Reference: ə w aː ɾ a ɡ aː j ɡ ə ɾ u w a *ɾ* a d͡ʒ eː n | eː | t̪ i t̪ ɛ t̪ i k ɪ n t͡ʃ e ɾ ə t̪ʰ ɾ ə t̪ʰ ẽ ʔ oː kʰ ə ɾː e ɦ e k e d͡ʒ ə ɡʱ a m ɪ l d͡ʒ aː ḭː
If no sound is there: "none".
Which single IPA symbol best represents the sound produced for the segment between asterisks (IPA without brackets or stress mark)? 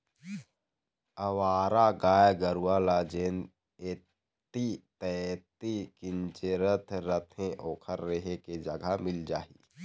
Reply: l